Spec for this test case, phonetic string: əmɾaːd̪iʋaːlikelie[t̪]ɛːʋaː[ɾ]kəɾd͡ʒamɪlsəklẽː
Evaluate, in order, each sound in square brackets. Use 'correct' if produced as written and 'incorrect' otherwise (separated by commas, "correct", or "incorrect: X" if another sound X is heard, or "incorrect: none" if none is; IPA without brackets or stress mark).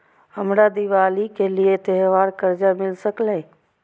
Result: correct, correct